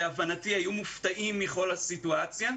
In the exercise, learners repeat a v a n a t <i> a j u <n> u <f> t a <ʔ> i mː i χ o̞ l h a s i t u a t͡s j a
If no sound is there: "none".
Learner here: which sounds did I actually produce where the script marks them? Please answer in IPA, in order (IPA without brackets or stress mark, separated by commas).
i, m, f, ʔ